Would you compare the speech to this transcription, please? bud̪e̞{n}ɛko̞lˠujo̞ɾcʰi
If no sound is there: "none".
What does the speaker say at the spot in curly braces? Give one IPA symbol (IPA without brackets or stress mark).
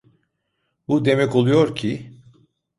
m